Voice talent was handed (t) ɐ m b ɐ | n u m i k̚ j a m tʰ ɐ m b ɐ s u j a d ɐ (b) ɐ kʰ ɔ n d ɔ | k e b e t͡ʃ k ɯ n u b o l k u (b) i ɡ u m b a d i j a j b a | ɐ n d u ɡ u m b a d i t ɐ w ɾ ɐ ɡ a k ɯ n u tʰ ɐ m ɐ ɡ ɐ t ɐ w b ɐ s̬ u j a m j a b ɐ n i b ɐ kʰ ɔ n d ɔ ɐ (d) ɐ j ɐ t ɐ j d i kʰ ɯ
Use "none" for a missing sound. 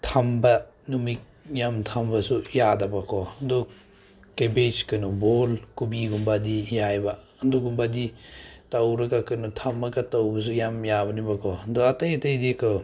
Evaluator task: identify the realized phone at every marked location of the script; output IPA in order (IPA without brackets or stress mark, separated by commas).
tʰ, b, b, t